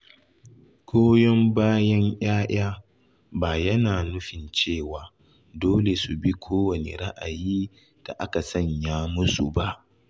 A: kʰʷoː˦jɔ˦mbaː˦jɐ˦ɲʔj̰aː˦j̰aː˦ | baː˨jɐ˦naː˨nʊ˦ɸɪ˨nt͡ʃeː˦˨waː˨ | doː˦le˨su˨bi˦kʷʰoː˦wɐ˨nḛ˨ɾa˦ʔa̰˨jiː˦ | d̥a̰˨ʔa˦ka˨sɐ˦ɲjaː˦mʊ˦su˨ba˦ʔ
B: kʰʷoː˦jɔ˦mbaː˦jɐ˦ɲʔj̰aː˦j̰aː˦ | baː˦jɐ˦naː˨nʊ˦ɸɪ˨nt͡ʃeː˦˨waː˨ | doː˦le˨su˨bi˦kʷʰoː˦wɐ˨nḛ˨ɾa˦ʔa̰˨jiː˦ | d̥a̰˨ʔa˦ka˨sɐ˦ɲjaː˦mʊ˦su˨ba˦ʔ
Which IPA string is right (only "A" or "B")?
A